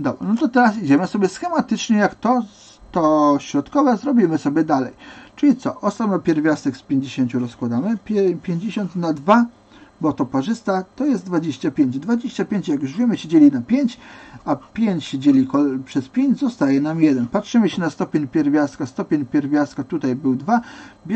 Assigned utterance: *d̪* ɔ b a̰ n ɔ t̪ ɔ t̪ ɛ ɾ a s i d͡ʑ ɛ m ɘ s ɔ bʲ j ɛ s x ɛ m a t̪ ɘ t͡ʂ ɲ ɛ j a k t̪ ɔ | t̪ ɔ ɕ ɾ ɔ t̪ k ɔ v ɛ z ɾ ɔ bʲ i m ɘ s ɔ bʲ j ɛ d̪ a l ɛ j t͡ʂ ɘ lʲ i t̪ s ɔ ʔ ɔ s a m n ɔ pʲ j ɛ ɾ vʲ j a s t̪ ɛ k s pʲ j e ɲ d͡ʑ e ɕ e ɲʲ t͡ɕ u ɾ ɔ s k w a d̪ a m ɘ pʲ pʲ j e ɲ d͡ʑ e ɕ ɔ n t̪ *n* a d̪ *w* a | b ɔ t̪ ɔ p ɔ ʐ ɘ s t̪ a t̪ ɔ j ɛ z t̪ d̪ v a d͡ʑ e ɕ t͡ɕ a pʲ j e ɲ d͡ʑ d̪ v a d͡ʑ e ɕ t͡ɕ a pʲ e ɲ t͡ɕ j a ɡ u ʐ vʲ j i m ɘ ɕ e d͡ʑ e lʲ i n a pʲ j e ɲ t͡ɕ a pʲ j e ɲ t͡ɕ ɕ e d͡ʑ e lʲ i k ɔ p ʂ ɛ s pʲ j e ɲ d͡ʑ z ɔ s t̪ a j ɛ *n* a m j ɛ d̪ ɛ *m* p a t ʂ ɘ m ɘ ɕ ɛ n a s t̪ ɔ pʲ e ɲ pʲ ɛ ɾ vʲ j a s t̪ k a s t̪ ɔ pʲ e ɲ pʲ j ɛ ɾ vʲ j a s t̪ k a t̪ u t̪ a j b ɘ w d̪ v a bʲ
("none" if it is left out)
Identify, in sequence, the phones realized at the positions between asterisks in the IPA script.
d̪, n, v, n, n

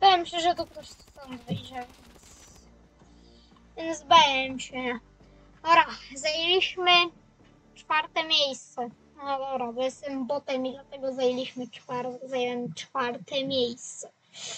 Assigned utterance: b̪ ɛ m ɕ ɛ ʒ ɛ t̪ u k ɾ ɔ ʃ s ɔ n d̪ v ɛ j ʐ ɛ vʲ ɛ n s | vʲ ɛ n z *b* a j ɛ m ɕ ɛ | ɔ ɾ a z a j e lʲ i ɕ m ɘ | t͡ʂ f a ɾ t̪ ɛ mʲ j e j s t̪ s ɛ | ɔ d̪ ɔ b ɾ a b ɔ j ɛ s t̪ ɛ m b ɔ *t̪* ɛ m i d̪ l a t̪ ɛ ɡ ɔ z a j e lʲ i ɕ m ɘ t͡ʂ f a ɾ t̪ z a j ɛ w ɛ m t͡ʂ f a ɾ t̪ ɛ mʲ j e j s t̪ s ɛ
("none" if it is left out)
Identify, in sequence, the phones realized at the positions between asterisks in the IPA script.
b, t̪

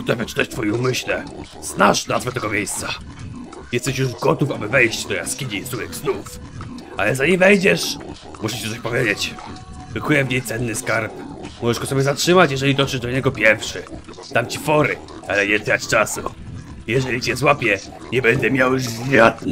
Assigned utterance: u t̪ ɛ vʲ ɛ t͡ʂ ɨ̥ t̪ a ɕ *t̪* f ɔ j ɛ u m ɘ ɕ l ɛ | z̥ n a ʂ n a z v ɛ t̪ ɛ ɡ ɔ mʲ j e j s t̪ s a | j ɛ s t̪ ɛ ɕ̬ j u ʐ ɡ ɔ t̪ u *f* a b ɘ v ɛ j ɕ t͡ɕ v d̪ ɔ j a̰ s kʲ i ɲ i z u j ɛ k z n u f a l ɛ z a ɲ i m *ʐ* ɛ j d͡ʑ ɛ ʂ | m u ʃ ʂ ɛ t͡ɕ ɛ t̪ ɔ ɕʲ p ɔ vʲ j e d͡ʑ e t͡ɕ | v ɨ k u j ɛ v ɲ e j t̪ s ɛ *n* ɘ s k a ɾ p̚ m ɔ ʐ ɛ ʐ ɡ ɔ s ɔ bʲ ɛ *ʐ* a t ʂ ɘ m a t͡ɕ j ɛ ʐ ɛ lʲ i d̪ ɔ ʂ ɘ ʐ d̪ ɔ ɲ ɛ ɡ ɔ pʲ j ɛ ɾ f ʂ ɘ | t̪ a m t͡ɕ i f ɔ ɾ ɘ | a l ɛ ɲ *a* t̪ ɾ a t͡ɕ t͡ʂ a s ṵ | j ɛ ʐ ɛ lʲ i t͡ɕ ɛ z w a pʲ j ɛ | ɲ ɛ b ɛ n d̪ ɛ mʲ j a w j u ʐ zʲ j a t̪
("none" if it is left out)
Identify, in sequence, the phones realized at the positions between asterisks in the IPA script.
t̪, f, v, nː, z, ɛ

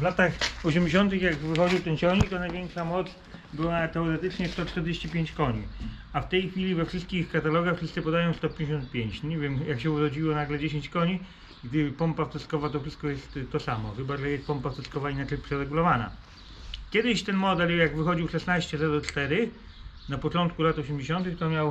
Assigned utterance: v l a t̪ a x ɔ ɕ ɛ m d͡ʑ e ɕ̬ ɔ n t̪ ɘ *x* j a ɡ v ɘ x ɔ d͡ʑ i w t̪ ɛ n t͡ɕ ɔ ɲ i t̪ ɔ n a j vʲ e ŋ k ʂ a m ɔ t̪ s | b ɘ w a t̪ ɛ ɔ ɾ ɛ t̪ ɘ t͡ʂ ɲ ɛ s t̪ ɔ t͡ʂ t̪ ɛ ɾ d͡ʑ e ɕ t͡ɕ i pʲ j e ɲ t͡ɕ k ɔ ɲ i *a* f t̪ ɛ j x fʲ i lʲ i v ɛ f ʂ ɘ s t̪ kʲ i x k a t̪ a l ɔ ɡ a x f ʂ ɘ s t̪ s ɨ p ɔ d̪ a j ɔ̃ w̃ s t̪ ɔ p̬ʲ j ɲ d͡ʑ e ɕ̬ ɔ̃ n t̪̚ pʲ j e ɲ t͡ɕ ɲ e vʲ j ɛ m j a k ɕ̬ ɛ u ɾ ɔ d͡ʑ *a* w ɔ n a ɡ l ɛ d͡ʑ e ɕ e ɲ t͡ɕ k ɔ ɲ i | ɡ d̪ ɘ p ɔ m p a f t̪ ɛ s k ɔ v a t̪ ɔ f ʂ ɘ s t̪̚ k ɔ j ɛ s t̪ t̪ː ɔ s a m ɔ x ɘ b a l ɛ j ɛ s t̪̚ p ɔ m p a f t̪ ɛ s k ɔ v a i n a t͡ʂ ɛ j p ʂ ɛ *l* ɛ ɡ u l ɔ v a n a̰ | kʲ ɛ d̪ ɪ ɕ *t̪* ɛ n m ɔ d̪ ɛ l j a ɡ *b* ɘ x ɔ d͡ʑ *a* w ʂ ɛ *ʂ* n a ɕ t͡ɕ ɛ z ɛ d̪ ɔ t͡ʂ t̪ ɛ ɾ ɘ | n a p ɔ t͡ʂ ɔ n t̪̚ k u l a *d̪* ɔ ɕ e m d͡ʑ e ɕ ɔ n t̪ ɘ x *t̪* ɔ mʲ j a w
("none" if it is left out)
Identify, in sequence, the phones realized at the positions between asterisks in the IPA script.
x, a, i, ɾ, t̪, v, i, s, t̪, t̪

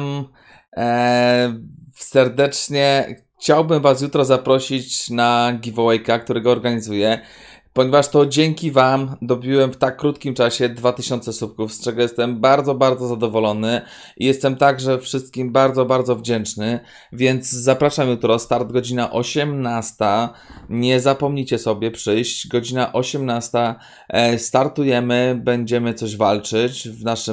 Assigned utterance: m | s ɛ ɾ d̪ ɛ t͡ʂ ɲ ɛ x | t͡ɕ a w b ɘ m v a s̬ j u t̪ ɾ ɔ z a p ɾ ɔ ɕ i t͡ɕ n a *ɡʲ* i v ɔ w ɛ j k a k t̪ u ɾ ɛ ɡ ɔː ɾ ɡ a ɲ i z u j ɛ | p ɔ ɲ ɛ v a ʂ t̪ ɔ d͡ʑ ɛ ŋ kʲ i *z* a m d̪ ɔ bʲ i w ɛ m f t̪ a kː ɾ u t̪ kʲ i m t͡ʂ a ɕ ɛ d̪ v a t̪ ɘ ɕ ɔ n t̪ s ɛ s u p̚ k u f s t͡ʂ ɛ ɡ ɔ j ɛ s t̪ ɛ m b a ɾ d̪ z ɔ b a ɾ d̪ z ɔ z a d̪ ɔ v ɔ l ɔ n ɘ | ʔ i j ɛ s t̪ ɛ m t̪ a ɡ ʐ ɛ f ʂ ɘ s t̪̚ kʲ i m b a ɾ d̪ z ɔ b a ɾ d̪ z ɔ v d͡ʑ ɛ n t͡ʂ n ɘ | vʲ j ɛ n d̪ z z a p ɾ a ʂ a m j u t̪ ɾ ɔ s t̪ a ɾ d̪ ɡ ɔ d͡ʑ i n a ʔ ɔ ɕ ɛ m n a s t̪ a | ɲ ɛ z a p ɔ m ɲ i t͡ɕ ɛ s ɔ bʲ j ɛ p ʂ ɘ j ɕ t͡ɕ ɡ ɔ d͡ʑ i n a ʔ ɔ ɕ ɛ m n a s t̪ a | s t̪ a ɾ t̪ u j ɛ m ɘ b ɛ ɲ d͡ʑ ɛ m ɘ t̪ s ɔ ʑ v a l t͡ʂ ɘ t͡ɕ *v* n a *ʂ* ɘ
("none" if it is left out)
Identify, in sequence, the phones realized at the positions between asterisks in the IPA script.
ɡʲ, v, v, ʂ

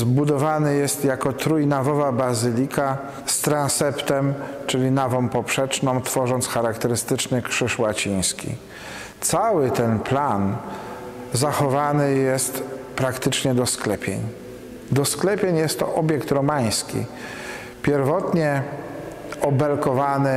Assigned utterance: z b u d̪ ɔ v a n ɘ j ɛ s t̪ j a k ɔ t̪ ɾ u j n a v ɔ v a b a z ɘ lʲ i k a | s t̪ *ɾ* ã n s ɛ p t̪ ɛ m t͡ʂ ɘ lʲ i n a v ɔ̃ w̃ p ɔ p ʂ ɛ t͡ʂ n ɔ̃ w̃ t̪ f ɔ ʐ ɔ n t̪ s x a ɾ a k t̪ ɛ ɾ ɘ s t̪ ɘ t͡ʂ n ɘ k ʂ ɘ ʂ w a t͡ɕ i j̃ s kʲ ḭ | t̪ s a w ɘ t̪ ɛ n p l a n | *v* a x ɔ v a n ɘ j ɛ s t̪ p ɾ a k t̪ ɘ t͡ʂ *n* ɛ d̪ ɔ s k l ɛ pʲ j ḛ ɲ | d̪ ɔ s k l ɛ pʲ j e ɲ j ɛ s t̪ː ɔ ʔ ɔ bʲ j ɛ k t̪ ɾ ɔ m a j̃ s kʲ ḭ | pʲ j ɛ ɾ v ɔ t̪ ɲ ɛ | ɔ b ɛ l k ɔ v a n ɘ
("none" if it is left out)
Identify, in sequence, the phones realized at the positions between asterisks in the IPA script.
ɾ, z, ɲ

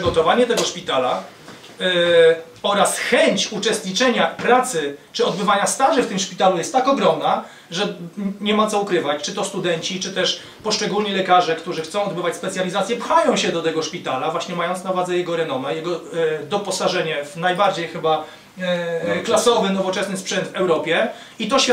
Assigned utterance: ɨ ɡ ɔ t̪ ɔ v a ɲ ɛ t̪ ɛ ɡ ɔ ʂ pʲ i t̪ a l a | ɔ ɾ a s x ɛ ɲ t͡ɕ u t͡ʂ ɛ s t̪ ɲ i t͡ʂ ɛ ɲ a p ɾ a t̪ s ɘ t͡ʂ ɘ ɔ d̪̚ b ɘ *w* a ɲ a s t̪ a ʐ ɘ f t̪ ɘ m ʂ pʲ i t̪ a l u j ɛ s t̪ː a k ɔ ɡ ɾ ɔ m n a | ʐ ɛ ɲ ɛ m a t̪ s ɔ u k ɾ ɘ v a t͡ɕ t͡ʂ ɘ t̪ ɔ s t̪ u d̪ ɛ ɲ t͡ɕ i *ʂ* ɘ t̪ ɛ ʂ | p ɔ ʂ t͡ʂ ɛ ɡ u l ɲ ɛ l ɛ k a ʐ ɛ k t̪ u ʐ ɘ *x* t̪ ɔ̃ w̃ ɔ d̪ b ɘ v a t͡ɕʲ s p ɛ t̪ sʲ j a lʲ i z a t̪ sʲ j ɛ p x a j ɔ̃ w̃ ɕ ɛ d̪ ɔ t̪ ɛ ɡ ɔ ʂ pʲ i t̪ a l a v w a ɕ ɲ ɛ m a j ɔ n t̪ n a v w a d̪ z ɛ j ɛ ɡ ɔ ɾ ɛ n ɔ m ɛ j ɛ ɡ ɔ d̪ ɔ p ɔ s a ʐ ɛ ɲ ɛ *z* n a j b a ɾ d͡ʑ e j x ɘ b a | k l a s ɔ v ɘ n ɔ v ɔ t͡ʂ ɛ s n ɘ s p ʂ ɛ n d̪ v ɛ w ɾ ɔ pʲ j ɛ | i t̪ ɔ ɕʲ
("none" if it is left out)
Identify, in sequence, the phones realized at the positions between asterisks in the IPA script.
v, t͡ʂ, x, v

